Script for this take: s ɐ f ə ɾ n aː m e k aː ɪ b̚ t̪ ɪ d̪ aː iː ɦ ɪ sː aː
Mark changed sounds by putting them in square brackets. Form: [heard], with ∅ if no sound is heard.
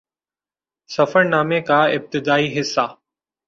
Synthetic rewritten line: s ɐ f ə ɾ n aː m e k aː ɪ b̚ t̪ ɪ d̪ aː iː ɦ ɪ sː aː